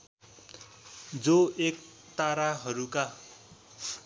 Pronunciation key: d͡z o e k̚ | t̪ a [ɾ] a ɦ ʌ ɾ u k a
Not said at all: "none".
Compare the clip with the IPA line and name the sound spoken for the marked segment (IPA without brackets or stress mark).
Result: ɾ